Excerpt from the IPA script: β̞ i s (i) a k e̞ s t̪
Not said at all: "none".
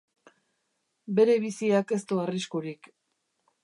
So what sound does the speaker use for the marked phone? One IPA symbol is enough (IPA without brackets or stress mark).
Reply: i